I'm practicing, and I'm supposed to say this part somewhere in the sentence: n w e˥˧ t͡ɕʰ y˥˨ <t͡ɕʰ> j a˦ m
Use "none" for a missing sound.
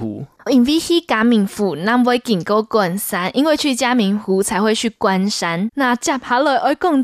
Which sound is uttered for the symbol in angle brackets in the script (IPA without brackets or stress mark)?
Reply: t͡ɕ